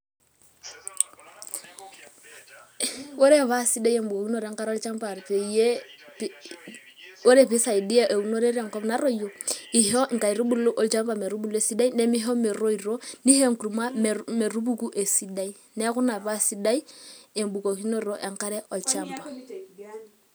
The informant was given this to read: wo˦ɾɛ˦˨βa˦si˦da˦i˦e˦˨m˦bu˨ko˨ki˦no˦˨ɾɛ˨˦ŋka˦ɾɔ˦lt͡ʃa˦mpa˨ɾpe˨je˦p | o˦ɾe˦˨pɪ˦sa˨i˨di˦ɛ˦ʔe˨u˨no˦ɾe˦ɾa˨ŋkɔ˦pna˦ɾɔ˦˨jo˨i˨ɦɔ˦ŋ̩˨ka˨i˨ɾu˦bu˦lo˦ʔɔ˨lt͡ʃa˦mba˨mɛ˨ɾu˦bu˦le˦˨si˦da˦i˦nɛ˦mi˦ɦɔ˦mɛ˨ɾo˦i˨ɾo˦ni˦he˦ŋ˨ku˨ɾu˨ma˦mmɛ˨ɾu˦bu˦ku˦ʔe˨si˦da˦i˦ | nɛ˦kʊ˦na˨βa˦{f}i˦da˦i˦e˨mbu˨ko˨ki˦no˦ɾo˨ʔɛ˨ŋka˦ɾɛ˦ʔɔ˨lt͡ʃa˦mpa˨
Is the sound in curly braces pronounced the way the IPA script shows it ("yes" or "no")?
no